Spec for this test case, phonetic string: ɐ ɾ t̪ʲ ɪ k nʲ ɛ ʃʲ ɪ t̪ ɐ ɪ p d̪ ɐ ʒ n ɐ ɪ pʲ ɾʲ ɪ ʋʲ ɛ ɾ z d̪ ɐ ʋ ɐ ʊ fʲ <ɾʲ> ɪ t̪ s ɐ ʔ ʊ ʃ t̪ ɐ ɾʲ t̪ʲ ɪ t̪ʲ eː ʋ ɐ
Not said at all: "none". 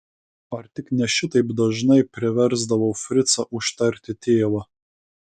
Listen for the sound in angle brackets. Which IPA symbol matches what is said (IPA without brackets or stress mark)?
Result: ɾʲ